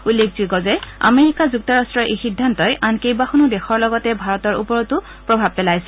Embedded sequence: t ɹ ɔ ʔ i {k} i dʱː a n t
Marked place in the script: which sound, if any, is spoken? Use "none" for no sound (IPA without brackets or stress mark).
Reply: x